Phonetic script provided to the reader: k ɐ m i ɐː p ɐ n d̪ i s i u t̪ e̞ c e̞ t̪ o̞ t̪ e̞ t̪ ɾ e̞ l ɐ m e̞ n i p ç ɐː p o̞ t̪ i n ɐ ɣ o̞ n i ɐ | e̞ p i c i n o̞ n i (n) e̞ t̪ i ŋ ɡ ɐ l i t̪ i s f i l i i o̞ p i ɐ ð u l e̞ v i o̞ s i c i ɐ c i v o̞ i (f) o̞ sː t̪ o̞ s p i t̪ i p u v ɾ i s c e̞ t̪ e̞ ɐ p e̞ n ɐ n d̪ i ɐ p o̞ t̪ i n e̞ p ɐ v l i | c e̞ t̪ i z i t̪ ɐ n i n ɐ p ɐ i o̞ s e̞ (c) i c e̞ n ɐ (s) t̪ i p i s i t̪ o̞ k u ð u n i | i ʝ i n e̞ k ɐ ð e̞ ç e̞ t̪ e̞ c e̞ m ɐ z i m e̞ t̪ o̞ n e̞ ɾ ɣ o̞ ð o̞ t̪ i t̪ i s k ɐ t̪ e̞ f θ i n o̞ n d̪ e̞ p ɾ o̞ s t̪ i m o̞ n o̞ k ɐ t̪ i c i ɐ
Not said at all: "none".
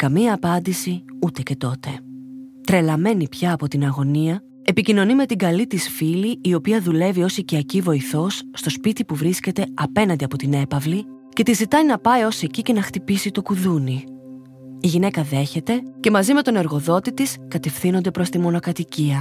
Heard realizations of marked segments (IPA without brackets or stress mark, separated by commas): m, θ, c, x